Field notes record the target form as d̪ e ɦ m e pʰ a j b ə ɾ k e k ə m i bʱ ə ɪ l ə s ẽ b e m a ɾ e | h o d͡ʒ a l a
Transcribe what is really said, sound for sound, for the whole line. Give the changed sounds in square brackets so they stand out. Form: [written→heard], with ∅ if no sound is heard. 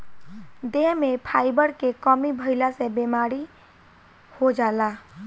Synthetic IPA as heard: d̪ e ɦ m e pʰ a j b ə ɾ k e k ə m i bʱ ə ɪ l [ə→a] s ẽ b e m a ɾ [e→i] | h o d͡ʒ a l a

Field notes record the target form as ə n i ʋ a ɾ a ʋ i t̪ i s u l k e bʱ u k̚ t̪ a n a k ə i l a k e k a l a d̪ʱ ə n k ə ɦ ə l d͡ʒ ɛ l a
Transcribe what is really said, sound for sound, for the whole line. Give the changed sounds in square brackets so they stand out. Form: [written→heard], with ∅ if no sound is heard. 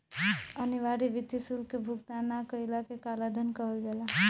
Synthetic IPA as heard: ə n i ʋ a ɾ [a→i] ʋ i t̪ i s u l k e bʱ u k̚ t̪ a n a k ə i l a k e k a l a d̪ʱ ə n k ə ɦ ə l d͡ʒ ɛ l a

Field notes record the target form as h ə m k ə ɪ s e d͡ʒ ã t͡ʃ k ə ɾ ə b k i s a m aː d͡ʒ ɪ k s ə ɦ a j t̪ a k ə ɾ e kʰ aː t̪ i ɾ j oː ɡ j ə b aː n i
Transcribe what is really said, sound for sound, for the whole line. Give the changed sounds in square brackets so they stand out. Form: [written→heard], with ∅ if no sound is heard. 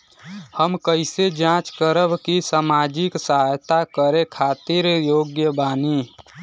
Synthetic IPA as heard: h ə m k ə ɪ s e d͡ʒ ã t͡ʃ k ə ɾ ə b k i s a m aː d͡ʒ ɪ k s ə ɦ a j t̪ a k ə ɾ e kʰ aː t̪ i ɾ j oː ɡ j ə b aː n i

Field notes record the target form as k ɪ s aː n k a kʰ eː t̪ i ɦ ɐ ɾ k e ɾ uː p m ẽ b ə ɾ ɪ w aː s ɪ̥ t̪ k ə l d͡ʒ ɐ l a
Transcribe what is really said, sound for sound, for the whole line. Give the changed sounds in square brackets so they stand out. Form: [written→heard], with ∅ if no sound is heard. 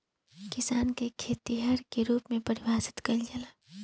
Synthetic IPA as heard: k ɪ s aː n k [a→e] kʰ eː t̪ i ɦ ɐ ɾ k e ɾ uː p m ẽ [b→p] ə ɾ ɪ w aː s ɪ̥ t̪ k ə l d͡ʒ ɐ l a

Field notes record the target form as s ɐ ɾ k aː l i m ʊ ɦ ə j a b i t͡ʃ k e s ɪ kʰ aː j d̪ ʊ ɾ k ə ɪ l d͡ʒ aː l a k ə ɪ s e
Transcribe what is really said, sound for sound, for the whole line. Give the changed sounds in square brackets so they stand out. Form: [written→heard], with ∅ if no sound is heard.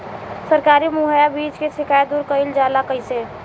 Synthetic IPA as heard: s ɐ ɾ k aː [l→ɾ] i m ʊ ɦ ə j a b [i→iː] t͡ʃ k e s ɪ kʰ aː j d̪ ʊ ɾ k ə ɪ l d͡ʒ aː l a k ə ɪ s e

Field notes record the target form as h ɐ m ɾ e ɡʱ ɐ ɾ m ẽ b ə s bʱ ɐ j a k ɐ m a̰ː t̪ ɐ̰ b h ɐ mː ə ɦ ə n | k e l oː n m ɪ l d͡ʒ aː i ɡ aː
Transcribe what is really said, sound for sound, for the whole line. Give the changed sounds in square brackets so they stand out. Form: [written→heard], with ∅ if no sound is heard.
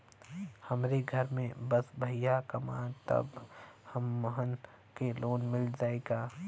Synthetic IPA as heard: h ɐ m ɾ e ɡʱ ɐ ɾ m ẽ b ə s bʱ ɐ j a k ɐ m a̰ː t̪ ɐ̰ b h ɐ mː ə ɦ ə n | k e l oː n m ɪ l d͡ʒ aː [i→e] ɡ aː

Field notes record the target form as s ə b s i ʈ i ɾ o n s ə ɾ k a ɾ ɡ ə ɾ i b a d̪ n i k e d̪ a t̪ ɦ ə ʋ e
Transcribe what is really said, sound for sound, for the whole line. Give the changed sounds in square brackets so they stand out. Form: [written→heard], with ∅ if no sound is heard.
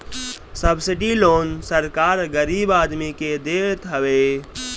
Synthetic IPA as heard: s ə b s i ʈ i [ɾ→l] o n s ə ɾ k a ɾ ɡ ə ɾ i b a d̪ [n→m] i k e d̪ [a→e] t̪ ɦ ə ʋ e

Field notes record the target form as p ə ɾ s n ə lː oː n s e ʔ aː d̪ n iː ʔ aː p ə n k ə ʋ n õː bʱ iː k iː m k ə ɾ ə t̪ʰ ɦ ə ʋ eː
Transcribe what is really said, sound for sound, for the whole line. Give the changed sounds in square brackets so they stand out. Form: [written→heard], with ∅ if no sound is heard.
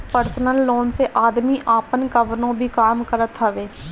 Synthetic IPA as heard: p ə ɾ s n ə lː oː n s e ʔ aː d̪ [n→m] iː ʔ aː p ə n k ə ʋ n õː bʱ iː k [iː→aː] m k ə ɾ ə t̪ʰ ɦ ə ʋ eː

